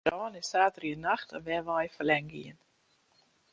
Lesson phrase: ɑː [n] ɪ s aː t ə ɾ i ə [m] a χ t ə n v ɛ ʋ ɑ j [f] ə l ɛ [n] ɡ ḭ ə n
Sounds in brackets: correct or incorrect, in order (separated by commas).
correct, incorrect, correct, incorrect